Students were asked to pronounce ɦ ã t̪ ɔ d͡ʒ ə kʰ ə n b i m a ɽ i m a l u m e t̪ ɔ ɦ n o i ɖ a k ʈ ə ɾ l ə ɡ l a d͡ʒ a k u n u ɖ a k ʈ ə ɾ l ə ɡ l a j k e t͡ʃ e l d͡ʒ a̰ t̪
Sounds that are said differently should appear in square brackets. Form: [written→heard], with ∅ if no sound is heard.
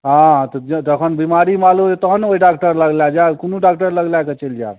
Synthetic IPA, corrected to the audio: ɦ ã t̪ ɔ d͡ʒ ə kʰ ə n b i m a [ɽ→ɾ] i m a l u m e t̪ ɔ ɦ n o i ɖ a k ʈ ə ɾ l ə ɡ l a d͡ʒ a k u n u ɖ a k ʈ ə ɾ l ə ɡ l a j k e t͡ʃ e l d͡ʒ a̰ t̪

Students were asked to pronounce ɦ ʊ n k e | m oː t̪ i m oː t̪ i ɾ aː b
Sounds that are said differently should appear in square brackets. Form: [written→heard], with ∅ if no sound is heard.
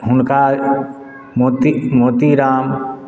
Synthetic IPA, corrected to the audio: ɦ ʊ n k [e→a] | m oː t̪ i m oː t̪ i ɾ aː [b→m]

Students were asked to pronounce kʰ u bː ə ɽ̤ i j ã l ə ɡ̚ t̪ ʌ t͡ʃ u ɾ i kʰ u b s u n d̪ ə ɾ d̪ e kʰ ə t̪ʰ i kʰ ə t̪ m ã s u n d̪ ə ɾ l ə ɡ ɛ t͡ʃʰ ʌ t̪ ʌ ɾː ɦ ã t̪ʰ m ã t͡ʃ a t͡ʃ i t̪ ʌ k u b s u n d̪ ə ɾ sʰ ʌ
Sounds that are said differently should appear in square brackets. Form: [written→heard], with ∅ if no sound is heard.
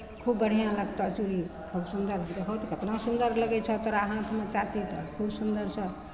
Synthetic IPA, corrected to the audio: kʰ u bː ə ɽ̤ i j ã l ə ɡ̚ t̪ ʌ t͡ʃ u ɾ i kʰ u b s u n d̪ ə ɾ d̪ e kʰ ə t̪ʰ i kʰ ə t̪ [m→n] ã s u n d̪ ə ɾ l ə ɡ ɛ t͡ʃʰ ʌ t̪ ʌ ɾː ɦ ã t̪ʰ m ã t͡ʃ a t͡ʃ i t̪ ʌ [k→kʰ] u b s u n d̪ ə ɾ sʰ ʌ

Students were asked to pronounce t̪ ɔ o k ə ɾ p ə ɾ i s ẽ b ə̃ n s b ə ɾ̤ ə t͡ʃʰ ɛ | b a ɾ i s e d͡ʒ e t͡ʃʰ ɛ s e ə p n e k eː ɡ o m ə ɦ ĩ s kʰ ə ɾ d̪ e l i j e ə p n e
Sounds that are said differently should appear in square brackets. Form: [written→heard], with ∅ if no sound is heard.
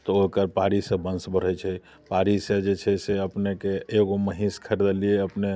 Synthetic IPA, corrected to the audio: t̪ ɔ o k ə ɾ p [ə→a] ɾ i s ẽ b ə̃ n s b ə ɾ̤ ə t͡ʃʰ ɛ | [b→p] a ɾ i s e d͡ʒ e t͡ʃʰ ɛ s e ə p n e k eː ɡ o m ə ɦ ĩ s kʰ ə ɾ d̪ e l i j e ə p n e

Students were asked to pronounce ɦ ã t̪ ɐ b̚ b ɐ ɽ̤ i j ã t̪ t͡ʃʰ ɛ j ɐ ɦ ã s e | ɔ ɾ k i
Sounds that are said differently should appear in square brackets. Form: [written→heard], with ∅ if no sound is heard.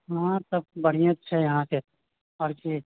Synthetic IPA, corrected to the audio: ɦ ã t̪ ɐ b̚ b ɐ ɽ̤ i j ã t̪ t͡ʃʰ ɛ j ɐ ɦ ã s e | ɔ ɾ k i

